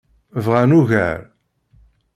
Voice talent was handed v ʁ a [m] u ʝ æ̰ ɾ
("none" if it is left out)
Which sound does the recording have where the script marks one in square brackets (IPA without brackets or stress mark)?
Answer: n